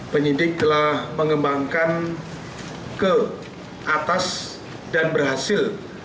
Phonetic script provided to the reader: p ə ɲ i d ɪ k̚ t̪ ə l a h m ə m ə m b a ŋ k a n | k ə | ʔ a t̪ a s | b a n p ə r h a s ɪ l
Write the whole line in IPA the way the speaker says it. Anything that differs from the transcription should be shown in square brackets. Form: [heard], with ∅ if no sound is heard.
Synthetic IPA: p ə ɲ i d ɪ k̚ t̪ ə l a h m ə [ŋ] ə m b a ŋ k a n | k ə | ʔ a t̪ a s | [d] a n [b] ə r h a s ɪ l